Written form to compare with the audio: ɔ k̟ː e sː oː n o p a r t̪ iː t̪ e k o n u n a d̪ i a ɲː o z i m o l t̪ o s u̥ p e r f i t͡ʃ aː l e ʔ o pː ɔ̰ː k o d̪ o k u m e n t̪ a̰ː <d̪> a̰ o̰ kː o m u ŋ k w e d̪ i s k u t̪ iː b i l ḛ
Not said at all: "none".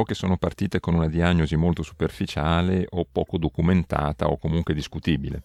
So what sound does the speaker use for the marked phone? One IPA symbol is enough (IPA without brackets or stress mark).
t̪